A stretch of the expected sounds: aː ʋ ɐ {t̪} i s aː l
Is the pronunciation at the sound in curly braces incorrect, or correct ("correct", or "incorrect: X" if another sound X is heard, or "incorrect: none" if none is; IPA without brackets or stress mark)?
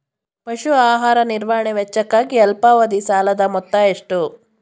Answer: incorrect: d̪